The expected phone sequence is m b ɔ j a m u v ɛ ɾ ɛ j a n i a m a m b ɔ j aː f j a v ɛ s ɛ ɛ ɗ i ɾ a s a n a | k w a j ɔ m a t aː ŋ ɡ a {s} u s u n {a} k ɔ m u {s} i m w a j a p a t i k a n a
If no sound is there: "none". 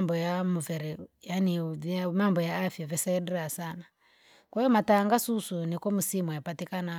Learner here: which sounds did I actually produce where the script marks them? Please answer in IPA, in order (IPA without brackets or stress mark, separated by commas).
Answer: s, i, s